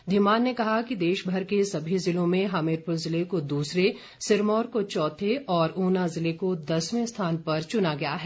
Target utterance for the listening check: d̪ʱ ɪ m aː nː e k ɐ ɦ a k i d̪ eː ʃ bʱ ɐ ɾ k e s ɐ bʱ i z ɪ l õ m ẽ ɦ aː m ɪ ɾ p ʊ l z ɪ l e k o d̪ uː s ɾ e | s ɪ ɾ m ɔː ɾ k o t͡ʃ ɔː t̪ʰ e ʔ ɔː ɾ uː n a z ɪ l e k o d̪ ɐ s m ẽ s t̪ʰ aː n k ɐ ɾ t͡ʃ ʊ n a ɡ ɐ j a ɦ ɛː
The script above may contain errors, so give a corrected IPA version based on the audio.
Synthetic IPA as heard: d̪ʱ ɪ m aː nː e k ɐ ɦ a k i d̪ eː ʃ bʱ ɐ ɾ k e s ɐ bʱ i z ɪ l õ m ẽ ɦ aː m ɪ ɾ p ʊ l z ɪ l e k o d̪ uː s ɾ e | s ɪ ɾ m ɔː ɾ k o t͡ʃ ɔː t̪ʰ e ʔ ɔː ɾ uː n a z ɪ l e k o d̪ ɐ s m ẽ s t̪ʰ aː n p ɐ ɾ t͡ʃ ʊ n a ɡ ɐ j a ɦ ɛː